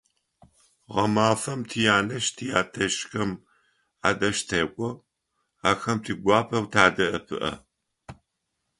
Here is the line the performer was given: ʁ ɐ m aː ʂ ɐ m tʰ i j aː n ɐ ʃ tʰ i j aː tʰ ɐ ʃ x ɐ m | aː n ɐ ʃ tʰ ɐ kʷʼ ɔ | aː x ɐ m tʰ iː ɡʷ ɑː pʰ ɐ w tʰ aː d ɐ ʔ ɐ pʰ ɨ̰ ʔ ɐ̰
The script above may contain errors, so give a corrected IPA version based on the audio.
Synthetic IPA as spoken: ʁ ɐ m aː f ɐ m tʰ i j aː n ɐ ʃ tʰ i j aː tʰ ɐ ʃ x ɐ m | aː d ɐ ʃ tʰ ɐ kʷʼ ɔ | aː x ɐ m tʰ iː ɡʷ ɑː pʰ ɐ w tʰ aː d ɐ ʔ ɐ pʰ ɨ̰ ʔ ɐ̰